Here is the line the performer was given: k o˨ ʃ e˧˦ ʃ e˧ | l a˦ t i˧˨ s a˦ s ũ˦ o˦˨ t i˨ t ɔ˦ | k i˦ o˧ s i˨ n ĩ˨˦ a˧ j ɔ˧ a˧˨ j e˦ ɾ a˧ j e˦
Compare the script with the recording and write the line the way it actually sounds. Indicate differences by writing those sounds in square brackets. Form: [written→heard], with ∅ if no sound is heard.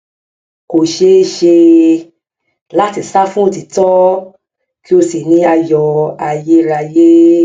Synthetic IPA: k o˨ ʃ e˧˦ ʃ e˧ | l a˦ t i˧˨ s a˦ [s→f] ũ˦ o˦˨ t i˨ t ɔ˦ | k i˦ o˧ s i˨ n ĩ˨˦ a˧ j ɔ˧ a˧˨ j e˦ ɾ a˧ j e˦